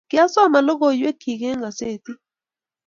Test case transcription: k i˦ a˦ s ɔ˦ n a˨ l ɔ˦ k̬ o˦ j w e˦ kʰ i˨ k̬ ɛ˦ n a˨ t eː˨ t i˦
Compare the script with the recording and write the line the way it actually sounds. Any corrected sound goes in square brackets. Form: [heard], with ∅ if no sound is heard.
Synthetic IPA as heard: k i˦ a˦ s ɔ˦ [m] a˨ l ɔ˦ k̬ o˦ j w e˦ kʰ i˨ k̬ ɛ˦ [ŋ] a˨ [s] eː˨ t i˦